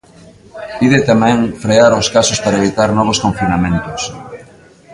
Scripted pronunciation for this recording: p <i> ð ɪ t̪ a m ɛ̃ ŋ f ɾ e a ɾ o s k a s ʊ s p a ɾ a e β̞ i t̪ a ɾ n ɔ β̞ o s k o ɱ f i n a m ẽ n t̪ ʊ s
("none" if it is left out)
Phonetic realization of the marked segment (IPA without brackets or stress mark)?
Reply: i